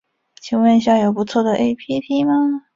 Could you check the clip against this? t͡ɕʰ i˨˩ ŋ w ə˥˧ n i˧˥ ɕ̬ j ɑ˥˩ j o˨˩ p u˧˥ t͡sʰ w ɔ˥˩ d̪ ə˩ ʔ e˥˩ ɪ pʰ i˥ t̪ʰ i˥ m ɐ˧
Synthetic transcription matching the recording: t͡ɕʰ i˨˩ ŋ w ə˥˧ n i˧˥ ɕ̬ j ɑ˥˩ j o˨˩ p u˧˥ t͡sʰ w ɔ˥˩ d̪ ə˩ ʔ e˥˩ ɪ pʰ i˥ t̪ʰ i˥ m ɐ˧